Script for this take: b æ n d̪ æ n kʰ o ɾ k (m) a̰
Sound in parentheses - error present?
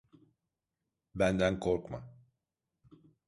no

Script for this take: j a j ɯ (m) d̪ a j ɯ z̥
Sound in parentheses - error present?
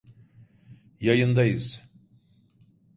yes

